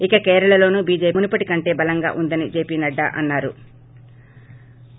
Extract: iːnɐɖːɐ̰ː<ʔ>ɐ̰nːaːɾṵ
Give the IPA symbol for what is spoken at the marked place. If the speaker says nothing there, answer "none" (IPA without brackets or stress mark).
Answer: ʔ